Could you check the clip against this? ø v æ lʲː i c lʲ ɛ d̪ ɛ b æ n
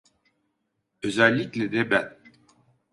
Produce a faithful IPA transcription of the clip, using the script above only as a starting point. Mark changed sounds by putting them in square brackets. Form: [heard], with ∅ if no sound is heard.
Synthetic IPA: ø [z] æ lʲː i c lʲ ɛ d̪ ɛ b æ n